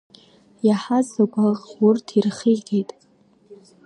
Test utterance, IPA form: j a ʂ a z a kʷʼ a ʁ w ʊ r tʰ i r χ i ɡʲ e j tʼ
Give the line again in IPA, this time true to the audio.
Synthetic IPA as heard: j a ħ a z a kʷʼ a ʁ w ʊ r tʰ i r χ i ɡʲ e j tʼ